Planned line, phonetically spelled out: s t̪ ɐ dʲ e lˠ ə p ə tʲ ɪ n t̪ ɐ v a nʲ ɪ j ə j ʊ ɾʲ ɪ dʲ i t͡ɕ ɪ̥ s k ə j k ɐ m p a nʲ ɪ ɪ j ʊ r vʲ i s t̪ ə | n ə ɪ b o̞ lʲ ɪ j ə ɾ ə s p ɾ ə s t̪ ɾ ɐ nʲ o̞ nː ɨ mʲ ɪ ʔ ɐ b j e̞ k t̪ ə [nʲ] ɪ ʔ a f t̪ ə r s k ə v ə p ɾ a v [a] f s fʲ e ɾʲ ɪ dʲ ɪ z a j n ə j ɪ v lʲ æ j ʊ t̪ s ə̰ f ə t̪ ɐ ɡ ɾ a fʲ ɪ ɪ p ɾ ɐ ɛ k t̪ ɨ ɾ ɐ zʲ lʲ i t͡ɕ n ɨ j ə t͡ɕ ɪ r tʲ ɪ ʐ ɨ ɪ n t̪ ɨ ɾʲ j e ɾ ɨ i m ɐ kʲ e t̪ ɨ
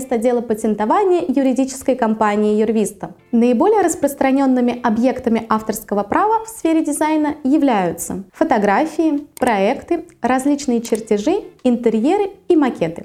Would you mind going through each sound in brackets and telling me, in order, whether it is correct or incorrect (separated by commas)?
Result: incorrect, incorrect